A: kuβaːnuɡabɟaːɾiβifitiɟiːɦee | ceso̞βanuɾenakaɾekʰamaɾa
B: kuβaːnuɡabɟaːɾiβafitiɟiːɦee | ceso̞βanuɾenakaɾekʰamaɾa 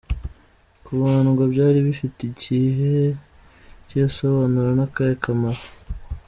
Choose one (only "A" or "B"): A